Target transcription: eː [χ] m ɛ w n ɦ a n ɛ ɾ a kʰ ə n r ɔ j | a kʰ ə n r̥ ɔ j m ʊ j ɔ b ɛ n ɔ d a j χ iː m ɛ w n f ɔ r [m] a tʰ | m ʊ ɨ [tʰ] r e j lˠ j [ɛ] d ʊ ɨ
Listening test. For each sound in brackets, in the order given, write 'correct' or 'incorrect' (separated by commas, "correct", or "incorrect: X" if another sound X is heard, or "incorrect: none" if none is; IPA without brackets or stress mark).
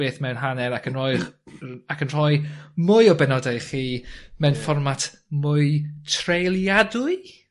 incorrect: θ, correct, correct, incorrect: a